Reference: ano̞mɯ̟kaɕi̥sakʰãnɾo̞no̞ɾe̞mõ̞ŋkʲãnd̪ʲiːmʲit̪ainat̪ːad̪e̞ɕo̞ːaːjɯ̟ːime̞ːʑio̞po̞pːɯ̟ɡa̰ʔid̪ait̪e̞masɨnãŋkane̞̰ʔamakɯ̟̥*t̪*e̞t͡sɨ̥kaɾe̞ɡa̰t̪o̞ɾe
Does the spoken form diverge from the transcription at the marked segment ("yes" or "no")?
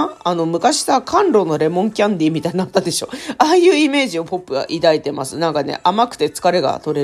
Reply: no